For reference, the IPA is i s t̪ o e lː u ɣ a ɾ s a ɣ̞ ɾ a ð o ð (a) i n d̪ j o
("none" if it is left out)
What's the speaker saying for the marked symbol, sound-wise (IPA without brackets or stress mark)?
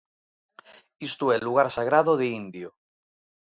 e